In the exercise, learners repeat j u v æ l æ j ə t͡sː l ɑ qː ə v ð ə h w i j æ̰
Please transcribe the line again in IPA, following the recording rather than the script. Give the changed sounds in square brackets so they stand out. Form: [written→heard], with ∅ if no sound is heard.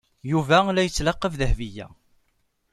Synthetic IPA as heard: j u v æ l æ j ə t͡sː l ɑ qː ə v ð ə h [w→v] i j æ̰